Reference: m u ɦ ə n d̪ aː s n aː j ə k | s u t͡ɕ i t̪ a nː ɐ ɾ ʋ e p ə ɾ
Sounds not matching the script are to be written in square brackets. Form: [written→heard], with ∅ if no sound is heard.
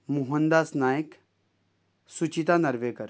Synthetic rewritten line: m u ɦ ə n d̪ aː s n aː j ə k | s u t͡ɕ i t̪ a [nː→n] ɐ ɾ ʋ e [p→k] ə ɾ